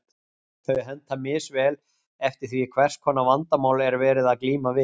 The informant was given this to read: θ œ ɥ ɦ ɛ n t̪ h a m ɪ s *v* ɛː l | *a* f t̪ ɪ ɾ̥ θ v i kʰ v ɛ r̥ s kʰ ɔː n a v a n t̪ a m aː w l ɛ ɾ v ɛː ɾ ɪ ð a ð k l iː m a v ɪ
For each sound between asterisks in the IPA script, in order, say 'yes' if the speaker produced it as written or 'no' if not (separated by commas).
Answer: yes, no